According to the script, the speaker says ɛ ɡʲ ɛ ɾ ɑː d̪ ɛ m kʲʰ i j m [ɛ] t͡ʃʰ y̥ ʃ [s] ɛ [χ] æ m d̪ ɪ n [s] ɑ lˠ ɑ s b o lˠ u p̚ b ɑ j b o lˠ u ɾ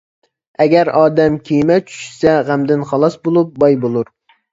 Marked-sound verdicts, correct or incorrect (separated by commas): correct, correct, incorrect, incorrect